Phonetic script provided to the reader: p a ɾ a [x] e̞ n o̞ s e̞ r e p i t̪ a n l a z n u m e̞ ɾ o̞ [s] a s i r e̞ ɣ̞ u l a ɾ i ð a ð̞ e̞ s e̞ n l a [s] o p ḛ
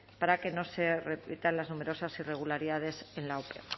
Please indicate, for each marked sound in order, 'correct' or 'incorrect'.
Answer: incorrect, correct, incorrect

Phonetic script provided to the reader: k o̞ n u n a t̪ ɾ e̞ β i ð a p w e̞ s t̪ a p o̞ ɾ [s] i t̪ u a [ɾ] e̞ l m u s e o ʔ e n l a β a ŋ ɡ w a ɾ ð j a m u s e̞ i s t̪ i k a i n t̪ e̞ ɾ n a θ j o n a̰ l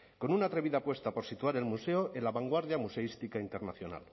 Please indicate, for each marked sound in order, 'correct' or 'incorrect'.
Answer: correct, correct

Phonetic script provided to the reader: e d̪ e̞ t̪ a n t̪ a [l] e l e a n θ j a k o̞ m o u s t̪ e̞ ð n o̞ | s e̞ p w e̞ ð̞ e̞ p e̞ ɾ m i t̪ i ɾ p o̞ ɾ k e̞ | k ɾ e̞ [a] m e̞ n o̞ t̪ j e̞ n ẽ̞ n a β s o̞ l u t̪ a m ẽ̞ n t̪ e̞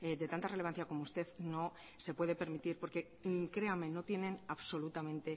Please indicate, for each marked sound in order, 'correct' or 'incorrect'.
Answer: incorrect, correct

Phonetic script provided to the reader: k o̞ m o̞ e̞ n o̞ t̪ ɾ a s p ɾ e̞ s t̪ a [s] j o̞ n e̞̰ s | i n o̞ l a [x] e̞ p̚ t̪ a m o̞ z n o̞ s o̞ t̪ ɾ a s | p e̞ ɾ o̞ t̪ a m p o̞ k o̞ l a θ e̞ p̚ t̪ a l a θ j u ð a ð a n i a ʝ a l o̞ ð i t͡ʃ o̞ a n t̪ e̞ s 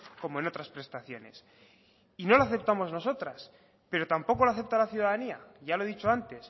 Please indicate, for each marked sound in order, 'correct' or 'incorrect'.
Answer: incorrect, incorrect

